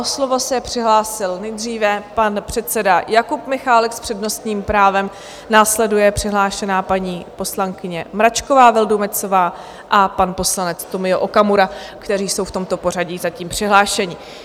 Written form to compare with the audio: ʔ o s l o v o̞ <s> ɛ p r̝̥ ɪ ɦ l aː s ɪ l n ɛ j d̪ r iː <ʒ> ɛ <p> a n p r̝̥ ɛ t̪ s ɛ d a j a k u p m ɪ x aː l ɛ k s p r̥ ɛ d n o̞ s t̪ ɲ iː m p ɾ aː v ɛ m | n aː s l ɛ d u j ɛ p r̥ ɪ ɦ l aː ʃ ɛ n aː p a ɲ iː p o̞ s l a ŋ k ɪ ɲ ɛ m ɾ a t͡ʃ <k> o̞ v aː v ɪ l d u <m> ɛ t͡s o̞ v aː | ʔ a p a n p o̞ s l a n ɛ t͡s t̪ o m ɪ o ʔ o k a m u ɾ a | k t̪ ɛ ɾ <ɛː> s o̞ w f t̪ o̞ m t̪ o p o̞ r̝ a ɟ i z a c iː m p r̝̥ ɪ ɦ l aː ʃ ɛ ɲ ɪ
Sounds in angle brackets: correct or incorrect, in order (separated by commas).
correct, incorrect, correct, correct, correct, incorrect